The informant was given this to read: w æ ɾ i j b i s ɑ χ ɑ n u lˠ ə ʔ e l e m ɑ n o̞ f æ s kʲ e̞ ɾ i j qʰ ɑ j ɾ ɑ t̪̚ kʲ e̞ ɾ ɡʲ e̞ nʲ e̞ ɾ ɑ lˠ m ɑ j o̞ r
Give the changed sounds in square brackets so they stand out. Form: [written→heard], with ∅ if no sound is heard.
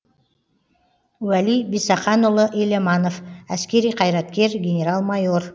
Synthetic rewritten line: w æ [ɾ→l] i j b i s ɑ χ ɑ n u lˠ ə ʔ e l e m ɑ n o̞ f æ s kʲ e̞ ɾ i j qʰ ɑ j ɾ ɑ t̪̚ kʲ e̞ ɾ ɡʲ e̞ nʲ e̞ ɾ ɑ lˠ m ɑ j o̞ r

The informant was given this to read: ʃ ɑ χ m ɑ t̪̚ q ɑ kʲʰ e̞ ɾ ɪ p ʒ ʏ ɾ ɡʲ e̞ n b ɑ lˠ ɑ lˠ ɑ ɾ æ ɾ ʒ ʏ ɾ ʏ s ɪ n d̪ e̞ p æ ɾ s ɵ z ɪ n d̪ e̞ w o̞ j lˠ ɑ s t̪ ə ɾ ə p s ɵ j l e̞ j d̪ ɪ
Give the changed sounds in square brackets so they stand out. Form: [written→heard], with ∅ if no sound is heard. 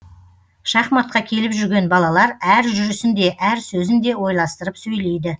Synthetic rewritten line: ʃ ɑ χ m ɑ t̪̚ q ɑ kʲʰ e̞ [ɾ→l] ɪ p ʒ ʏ ɾ ɡʲ e̞ n b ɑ lˠ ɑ lˠ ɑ ɾ æ ɾ ʒ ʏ ɾ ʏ s ɪ n d̪ e̞ [p→ʔ] æ ɾ s ɵ z ɪ n d̪ e̞ w o̞ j lˠ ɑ s t̪ ə ɾ ə p s ɵ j l e̞ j d̪ ɪ

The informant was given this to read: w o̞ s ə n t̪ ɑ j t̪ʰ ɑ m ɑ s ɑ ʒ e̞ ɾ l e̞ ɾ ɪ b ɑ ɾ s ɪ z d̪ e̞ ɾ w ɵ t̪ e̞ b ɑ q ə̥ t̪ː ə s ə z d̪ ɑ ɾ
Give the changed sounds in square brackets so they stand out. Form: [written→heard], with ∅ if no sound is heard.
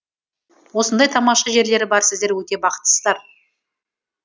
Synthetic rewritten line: w o̞ s ə n [t̪→d̪] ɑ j t̪ʰ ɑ m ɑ [s→ʃ] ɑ ʒ e̞ ɾ l e̞ ɾ ɪ b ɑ ɾ s ɪ z d̪ e̞ ɾ w ɵ t̪ e̞ b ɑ q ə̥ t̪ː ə s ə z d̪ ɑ ɾ

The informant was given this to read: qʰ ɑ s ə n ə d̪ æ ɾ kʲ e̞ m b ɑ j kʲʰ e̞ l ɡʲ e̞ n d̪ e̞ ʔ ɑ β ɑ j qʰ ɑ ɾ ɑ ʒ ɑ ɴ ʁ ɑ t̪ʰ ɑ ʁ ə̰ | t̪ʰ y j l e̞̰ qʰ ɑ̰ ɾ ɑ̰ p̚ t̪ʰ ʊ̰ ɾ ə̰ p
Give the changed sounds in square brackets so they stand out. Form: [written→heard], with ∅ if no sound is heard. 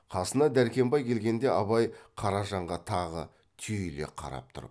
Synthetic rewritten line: qʰ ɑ s ə n [ə→ɑ] d̪ æ ɾ kʲ e̞ m b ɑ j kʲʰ e̞ l ɡʲ e̞ n d̪ e̞ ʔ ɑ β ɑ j qʰ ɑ ɾ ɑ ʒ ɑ ɴ ʁ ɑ t̪ʰ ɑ ʁ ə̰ | t̪ʰ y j l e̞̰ qʰ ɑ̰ ɾ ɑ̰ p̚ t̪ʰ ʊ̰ ɾ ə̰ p

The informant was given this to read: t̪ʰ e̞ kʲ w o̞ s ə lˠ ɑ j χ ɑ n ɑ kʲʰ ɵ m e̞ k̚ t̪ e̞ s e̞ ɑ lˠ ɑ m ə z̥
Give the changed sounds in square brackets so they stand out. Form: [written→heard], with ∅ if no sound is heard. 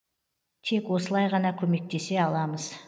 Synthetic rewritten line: t̪ʰ e̞ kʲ w o̞ s ə lˠ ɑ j [χ→ʁ] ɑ n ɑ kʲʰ ɵ m e̞ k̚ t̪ e̞ s e̞ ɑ lˠ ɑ m ə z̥

